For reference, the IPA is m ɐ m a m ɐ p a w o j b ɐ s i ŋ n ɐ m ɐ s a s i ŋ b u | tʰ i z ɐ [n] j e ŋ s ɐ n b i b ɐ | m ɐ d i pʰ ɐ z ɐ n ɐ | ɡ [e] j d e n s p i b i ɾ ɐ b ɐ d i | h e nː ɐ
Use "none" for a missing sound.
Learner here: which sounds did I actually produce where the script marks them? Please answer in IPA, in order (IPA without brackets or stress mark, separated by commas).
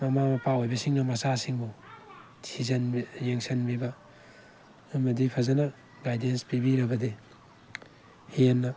n, a